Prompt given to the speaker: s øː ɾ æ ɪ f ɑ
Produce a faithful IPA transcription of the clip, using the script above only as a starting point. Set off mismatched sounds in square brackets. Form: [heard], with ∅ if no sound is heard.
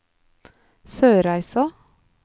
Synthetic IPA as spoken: s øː ɾ æ ɪ [s] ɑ